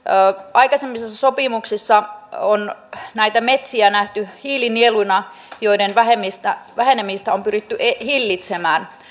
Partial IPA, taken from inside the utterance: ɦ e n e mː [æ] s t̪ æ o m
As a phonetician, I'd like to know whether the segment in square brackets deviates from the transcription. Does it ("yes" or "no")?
yes